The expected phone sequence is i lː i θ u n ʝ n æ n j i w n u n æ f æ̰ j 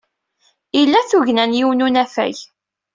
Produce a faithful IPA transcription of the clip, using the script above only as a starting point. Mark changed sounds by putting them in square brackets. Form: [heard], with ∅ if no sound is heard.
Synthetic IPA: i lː [æ] θ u [∅] ʝ n æ n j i w n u n æ f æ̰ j

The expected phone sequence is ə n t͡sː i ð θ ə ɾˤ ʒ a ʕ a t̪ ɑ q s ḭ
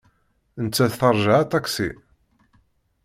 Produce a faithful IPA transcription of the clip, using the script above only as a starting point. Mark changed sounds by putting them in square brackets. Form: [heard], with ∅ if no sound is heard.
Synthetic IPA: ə n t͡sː [æ] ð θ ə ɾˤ ʒ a ʕ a t̪ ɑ [k] s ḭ

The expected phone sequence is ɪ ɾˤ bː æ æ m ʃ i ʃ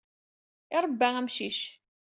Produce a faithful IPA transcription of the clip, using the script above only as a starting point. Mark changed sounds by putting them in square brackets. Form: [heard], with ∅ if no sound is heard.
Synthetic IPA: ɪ ɾˤ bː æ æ m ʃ i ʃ

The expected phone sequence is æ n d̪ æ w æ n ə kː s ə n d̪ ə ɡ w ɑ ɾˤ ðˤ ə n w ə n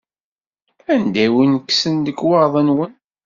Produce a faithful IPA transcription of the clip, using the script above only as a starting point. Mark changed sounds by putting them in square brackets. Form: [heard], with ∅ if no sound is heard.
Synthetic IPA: æ n d̪ æ w [i] n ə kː s ə n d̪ ə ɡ w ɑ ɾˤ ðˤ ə n w ə n

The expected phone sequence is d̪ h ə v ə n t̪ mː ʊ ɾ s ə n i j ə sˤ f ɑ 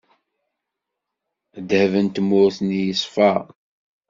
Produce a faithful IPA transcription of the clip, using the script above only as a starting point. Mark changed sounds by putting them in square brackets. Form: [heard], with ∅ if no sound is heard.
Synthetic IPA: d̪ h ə v ə n t̪ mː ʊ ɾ [θ] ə n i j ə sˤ f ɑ

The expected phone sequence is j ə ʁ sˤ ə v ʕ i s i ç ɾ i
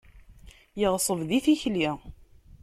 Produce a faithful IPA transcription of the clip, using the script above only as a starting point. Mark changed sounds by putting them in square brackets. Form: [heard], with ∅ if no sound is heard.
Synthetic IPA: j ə ʁ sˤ ə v [ð] i [θ] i ç [l] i

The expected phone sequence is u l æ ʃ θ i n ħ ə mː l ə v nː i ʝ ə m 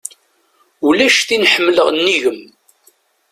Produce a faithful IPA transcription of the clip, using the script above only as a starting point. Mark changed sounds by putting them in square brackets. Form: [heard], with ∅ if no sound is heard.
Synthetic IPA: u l æ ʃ θ i n ħ ə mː l ə [ʁ] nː i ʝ ə m

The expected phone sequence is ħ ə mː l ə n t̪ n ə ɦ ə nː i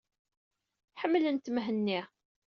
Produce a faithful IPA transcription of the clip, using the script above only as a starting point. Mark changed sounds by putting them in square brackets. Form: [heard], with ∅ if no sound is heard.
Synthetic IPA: ħ ə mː l ə n t̪ [m] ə ɦ ə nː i

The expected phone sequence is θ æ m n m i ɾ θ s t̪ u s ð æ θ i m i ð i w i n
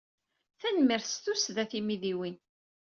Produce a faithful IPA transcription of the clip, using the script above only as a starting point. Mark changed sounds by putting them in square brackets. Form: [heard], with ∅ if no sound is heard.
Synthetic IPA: θ æ [∅] n m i ɾ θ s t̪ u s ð æ θ i m i ð i w i n

